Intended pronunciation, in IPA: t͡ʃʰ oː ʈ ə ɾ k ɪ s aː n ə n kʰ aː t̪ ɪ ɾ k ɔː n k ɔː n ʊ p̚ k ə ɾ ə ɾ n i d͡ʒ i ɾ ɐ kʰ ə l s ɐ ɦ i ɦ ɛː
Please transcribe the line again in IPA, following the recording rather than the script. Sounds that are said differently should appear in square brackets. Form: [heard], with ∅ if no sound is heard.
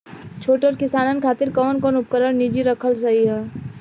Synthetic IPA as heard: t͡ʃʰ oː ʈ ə ɾ k ɪ s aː n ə n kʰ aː t̪ ɪ ɾ k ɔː n k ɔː n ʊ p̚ k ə ɾ ə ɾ n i d͡ʒ i ɾ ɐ kʰ ə l s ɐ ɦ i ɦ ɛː